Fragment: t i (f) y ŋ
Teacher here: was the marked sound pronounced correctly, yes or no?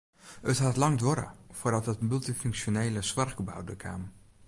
yes